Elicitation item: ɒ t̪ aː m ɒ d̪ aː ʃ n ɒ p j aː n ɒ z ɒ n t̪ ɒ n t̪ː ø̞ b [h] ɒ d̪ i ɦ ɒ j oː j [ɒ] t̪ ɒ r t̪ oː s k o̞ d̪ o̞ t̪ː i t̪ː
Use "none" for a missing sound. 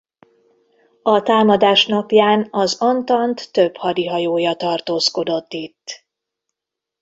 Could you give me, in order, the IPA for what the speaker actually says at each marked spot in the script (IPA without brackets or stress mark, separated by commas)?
h, ɒ